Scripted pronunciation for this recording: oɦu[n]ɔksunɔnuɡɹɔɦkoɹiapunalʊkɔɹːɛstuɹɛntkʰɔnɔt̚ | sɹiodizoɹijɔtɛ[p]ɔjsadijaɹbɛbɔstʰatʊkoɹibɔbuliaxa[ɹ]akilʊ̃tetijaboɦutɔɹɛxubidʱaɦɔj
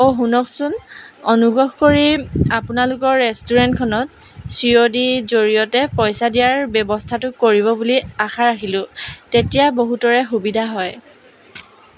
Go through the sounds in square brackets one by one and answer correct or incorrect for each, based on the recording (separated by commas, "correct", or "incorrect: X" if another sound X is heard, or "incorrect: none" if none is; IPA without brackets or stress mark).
correct, correct, correct